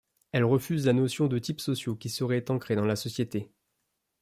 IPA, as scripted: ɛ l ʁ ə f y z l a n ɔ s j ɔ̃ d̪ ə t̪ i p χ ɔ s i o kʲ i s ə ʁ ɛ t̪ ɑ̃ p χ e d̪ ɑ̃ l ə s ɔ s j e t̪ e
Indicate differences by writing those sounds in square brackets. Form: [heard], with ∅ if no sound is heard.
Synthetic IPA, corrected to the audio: ɛ l ʁ ə f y z l a n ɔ s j ɔ̃ d̪ ə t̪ i p [s] ɔ s [j] o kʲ i s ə ʁ ɛ t̪ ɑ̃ [k] χ e d̪ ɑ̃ l [a] s ɔ s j e t̪ e